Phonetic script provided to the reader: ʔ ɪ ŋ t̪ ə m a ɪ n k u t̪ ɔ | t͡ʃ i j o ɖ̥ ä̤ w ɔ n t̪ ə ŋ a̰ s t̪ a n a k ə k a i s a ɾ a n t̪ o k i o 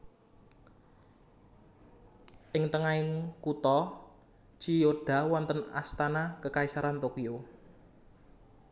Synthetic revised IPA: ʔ ɪ ŋ t̪ ə ŋ a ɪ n k u t̪ ɔ | t͡ʃ i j o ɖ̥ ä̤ w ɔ n t̪ ə n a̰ s t̪ a n a k ə k a i s a ɾ a n t̪ o k i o